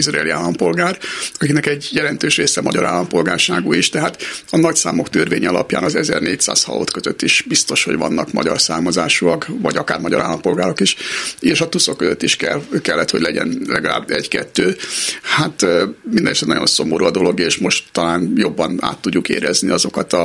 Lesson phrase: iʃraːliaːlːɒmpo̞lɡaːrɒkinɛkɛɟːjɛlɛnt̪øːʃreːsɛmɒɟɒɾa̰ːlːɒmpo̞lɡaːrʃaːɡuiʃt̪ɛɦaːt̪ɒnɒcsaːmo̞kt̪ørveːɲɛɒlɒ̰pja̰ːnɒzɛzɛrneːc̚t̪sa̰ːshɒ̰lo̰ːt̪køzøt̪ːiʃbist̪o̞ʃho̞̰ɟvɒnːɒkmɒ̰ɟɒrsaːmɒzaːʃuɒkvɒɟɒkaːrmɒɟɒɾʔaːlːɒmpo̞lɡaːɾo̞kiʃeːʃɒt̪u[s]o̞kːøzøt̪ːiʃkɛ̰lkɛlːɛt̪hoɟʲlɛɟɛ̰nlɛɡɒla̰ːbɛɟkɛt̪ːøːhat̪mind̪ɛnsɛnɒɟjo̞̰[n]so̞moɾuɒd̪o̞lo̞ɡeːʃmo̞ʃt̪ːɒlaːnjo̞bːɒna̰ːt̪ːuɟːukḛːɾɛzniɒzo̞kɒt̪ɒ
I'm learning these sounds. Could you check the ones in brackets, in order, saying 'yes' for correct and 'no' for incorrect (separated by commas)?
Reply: yes, yes